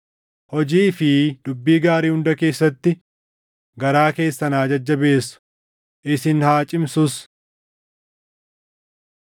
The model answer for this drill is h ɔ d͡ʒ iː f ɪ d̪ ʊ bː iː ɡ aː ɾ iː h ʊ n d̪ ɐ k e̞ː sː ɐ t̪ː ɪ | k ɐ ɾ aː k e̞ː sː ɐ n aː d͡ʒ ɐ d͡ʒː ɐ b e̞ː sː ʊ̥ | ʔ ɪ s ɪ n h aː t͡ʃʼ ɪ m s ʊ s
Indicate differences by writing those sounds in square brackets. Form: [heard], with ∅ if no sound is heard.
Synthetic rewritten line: h ɔ d͡ʒ iː f ɪ d̪ ʊ bː iː ɡ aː ɾ iː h ʊ n d̪ ɐ k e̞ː sː ɐ t̪ː ɪ | [ɡ] ɐ ɾ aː k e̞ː sː ɐ n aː d͡ʒ ɐ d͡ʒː ɐ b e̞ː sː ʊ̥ | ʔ ɪ s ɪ n h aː t͡ʃʼ ɪ m s ʊ s